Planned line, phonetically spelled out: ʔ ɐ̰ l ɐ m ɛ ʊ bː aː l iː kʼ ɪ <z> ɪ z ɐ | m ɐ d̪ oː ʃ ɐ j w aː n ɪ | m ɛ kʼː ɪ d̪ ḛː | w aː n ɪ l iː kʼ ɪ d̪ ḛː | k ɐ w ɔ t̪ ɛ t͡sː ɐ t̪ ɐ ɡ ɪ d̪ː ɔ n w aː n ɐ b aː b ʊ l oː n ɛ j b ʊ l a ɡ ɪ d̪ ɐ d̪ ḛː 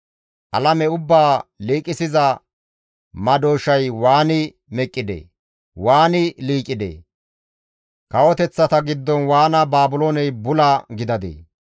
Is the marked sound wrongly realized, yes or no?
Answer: yes